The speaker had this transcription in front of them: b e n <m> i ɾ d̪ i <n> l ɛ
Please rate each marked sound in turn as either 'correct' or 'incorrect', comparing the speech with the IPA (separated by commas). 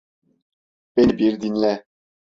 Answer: incorrect, correct